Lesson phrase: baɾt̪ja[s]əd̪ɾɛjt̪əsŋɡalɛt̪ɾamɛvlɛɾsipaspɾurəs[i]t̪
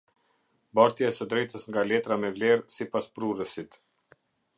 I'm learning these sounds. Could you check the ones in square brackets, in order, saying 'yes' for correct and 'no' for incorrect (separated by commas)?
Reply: yes, yes